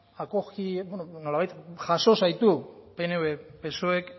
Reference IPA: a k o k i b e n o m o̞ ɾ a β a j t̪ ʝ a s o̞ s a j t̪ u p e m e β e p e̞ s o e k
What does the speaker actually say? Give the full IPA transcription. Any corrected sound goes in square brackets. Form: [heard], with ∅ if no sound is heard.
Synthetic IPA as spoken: a k o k i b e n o [n] o̞ [l] a β a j t̪ ʝ a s o̞ s a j t̪ u p e [n] e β e p e̞ s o e k